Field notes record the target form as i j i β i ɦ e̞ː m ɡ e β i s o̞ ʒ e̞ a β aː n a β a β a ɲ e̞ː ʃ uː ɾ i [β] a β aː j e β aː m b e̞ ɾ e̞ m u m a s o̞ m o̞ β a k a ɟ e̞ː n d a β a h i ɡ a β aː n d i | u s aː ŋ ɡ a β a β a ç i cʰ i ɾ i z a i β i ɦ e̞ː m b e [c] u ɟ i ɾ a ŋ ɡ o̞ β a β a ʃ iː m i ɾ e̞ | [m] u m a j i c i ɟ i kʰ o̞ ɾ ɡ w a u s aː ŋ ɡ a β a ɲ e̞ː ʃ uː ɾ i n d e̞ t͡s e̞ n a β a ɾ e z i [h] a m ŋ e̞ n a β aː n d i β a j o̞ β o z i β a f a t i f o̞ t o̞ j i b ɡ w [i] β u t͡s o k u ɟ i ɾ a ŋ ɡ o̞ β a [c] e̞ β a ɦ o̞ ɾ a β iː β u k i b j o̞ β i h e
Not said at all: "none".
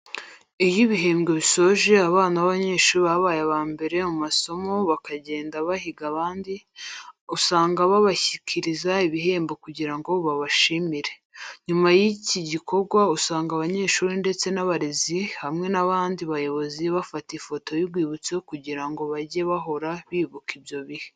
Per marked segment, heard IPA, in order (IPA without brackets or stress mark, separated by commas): β, k, ɲ, h, iː, ɟ